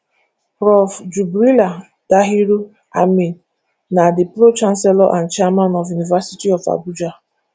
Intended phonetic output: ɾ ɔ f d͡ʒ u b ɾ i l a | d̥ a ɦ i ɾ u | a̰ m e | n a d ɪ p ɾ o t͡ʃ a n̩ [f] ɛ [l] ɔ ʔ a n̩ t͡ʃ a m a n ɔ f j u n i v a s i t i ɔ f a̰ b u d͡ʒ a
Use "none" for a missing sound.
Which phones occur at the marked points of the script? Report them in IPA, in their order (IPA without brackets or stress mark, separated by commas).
s, l